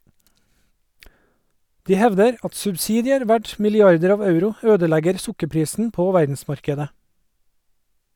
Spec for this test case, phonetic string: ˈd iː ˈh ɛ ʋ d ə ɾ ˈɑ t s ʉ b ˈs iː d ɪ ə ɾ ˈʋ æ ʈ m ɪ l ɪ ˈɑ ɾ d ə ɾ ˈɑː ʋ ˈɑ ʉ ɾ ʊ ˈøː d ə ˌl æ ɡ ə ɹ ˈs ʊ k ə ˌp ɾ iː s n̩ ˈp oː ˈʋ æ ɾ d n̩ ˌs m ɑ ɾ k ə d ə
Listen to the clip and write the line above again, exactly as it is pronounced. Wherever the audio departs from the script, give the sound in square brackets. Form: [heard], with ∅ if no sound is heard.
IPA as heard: ˈd iː ˈh ɛ ʋ d ə ɾ ˈɑ t s ʉ b ˈs iː d ɪ ə ɾ ˈʋ æ ʈ m ɪ l ɪ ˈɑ ɾ d ə ɾ ˈɑː ʋ ˈɑ ʉ ɾ ʊ ˈøː d ə ˌl æ ɡ ə [ɾ] ˈs ʊ k ə ˌp ɾ iː s n̩ ˈp oː ˈʋ æ ɾ d n̩ ˌs m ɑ ɾ k ə d ə